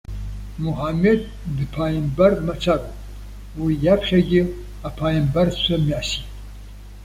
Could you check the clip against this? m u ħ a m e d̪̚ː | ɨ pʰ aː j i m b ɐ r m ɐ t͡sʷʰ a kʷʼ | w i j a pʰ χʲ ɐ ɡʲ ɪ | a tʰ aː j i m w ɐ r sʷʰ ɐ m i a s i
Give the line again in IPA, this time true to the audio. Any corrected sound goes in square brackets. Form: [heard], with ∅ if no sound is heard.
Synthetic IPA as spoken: m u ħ a m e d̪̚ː | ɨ pʰ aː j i m b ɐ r m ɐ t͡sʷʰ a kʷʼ | w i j a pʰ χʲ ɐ ɡʲ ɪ | a [pʰ] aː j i m [b] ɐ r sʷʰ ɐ m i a s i

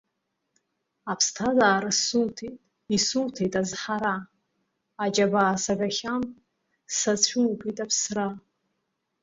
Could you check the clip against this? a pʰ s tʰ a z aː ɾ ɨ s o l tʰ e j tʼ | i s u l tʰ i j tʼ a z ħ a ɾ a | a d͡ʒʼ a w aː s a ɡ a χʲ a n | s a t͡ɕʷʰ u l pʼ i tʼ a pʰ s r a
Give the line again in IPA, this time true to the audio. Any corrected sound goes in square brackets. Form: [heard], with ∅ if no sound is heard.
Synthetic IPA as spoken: a pʰ s tʰ a z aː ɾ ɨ s [u] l tʰ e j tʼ | i s u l tʰ [e] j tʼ a z ħ a ɾ a | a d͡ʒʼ a [b] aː s a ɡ a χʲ a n | s a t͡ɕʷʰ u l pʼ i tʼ a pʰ s r a

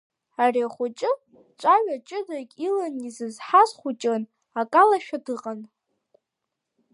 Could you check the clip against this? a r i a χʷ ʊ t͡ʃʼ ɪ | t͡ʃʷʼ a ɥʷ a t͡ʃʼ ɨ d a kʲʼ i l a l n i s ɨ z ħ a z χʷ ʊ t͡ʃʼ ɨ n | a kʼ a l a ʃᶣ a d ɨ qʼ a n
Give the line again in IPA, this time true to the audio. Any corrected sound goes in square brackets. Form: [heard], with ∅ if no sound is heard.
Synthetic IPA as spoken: a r i a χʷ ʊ t͡ʃʼ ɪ | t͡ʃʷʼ a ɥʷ a t͡ʃʼ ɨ d a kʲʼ i l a [∅] n i [z] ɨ z ħ a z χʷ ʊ t͡ʃʼ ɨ n | a kʼ a l a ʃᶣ a d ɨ qʼ a n

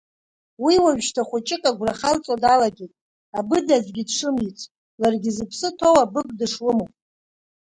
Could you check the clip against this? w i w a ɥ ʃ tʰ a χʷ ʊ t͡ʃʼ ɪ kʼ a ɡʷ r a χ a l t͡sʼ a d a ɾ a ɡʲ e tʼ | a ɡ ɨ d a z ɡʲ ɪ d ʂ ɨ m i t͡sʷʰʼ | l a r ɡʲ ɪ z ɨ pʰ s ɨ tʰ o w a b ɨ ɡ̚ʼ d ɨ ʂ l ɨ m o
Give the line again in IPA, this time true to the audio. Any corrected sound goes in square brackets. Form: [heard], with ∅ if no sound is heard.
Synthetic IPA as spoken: w i w a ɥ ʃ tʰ a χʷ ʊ t͡ʃʼ ɪ kʼ a ɡʷ r a χ a l t͡sʼ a d a [l] a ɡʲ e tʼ | a [b] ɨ d a z ɡʲ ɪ d ʂ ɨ m i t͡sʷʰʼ | l a r ɡʲ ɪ z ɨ pʰ s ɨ tʰ o w a b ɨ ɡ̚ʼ d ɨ ʂ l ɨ m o

